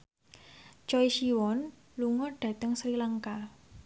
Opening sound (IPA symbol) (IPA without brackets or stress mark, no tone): t͡ʃ